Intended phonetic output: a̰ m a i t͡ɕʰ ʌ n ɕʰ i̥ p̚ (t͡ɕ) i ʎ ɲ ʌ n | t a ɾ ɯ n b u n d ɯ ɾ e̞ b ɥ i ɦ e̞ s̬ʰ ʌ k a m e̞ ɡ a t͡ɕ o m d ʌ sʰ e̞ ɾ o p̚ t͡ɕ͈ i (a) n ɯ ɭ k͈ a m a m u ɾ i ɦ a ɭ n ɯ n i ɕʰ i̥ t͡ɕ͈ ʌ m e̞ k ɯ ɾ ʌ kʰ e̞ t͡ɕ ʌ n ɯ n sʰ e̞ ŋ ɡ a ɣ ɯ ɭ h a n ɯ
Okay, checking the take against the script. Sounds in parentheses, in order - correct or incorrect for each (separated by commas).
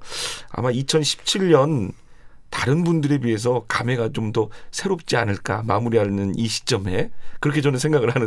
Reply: incorrect, correct